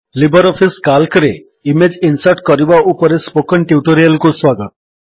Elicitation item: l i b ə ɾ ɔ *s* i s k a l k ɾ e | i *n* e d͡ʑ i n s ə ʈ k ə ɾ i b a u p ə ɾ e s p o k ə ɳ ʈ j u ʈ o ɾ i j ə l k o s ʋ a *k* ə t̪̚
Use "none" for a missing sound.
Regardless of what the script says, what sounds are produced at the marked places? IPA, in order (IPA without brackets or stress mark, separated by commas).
f, m, ɡ